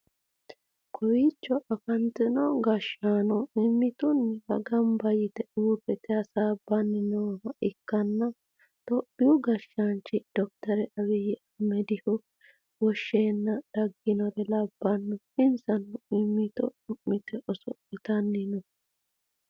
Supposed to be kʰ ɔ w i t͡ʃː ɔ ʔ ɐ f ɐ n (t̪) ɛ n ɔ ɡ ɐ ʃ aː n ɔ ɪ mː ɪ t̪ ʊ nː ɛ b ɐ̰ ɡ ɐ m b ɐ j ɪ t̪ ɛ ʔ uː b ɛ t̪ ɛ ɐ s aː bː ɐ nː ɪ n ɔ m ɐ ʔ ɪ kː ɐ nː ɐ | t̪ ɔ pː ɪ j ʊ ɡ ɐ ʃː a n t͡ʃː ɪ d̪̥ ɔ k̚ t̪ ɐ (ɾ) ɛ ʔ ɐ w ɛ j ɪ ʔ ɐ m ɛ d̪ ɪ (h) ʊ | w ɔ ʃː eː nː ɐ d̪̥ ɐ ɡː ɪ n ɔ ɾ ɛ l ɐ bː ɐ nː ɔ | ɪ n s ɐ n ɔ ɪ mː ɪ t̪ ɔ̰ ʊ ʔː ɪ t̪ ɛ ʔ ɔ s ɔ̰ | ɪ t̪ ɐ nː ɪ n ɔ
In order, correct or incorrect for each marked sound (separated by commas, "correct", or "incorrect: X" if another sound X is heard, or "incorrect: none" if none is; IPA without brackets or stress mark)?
correct, correct, correct